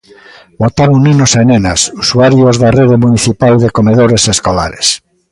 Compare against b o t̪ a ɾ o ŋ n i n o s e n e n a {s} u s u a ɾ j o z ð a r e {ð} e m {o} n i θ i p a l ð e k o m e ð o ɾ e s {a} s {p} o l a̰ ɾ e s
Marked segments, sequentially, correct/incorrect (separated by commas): correct, correct, incorrect, incorrect, incorrect